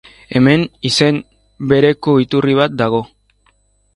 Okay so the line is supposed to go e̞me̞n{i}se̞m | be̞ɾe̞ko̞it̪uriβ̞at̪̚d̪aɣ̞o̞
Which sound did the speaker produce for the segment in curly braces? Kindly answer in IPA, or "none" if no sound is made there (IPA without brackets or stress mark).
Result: i